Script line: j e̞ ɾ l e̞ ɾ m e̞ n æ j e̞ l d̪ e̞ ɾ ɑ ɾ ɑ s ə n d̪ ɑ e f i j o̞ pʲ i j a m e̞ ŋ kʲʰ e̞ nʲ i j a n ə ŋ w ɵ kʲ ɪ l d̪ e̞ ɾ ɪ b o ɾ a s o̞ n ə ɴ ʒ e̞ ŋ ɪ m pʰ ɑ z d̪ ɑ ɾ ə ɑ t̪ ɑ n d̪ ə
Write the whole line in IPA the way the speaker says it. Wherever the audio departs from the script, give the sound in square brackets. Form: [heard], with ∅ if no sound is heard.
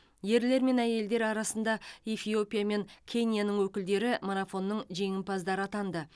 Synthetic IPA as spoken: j e̞ ɾ l e̞ ɾ m e̞ n æ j e̞ l d̪ e̞ ɾ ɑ ɾ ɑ s ə n d̪ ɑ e f i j o̞ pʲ i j a m e̞ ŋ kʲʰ e̞ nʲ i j a n ə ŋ w ɵ kʲ ɪ l d̪ e̞ ɾ ɪ [m] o ɾ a [f] o̞ [nː] ə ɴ ʒ e̞ ŋ ɪ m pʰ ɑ z d̪ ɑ ɾ ə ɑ t̪ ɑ n d̪ ə